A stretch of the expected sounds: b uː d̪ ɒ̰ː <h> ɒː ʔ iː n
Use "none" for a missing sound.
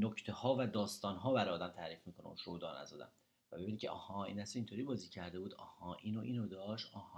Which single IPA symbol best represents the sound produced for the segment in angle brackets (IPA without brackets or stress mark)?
h